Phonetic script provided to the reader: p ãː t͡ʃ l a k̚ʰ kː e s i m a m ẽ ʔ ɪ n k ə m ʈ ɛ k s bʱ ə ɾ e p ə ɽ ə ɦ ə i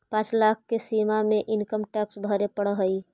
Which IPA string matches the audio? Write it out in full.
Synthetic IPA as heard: p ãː t͡ʃ l a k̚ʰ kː e s i m a m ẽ ʔ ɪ n k ə m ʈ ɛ k s bʱ ə ɾ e p ə ɽ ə ɦ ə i